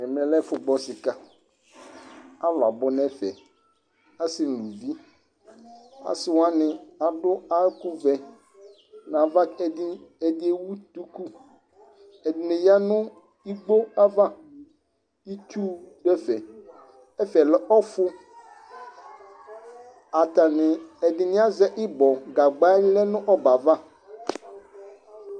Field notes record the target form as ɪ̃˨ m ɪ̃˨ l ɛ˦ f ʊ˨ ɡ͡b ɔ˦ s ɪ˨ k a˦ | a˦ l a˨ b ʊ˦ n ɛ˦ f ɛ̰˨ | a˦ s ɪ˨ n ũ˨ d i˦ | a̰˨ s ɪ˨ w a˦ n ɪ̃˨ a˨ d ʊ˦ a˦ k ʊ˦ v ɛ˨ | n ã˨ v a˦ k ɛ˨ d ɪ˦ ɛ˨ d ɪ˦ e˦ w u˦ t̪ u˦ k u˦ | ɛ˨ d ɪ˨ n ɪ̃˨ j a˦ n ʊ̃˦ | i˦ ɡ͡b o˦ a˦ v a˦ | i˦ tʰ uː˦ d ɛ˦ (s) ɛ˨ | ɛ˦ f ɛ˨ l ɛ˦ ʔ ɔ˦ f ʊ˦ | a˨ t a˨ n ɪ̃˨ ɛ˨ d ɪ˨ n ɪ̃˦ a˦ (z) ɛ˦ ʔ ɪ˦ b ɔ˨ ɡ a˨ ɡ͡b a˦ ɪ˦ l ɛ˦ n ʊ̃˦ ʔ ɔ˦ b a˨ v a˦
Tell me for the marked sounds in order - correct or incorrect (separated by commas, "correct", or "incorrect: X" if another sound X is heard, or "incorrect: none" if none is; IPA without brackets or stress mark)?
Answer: incorrect: f, correct